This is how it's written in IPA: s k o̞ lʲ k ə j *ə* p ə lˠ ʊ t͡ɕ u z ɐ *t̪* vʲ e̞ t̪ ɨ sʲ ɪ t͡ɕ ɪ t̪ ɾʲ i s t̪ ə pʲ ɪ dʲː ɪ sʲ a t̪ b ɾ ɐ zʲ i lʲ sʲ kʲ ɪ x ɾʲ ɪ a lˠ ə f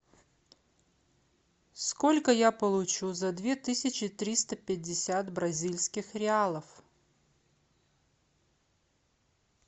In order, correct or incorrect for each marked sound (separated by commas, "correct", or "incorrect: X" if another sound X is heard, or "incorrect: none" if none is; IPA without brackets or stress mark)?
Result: incorrect: a, incorrect: d̪